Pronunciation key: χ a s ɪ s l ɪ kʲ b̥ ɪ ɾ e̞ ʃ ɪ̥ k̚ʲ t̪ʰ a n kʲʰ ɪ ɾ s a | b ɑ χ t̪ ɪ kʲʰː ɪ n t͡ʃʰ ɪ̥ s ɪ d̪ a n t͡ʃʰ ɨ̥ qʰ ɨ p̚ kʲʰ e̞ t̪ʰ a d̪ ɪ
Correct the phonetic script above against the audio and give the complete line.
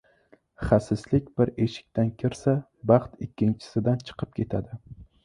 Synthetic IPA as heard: χ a s ɪ s l ɪ kʲ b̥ ɪ ɾ e̞ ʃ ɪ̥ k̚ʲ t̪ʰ a n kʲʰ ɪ ɾ s a | b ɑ χ t̪ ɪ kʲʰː ɪ n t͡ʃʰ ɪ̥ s ɪ d̪ a n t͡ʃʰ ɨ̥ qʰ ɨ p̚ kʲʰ e̞ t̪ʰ a d̪ ɪ